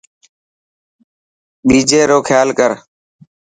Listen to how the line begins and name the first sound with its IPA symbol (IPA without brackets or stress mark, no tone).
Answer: ɓ